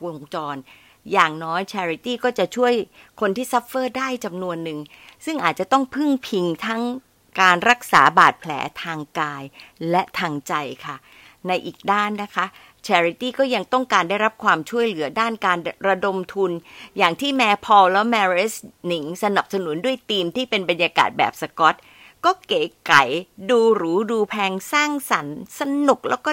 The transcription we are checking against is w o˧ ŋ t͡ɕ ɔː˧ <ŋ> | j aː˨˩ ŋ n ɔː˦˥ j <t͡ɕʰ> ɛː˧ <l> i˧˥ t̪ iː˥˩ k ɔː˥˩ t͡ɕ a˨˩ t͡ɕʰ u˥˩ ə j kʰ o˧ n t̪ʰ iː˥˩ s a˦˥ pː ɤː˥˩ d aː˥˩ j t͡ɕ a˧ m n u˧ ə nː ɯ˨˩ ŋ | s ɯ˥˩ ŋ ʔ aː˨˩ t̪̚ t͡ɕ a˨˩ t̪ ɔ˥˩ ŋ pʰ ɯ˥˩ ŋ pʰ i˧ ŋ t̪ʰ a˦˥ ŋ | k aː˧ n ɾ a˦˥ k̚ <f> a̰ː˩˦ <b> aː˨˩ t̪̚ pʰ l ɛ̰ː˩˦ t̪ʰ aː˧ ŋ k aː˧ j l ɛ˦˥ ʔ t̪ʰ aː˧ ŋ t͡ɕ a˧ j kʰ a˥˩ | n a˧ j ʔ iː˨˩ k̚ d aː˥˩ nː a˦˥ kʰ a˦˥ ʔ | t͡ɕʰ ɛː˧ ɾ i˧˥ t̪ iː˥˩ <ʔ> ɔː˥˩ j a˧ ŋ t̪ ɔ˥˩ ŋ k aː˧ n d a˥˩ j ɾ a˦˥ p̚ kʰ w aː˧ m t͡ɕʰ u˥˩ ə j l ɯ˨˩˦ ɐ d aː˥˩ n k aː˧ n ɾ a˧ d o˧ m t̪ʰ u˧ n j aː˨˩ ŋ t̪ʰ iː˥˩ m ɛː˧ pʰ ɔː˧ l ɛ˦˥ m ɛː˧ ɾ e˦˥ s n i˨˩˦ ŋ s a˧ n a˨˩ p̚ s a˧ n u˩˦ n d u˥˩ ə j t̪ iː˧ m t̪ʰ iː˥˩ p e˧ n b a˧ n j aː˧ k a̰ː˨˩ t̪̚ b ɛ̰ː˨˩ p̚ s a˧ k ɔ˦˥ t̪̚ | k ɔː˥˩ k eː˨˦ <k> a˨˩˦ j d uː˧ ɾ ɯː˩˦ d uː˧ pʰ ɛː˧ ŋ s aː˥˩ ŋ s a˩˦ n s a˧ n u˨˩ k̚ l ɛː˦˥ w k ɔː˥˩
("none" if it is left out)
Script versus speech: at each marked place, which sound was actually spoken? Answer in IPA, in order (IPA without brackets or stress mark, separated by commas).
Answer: n, t͡ɕʰ, ɾ, s, b, k, k